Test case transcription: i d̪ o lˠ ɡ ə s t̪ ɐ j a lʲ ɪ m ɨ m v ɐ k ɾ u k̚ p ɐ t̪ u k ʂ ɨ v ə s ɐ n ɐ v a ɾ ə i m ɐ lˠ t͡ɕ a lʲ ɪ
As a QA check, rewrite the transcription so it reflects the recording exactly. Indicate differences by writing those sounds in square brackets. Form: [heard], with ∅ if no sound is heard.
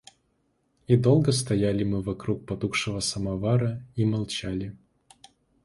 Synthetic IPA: i d̪ o lˠ ɡ ə s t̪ ɐ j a lʲ ɪ m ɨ [∅] v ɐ k ɾ u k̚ p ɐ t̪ u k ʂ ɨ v ə s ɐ [m] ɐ v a ɾ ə i m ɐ lˠ t͡ɕ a lʲ ɪ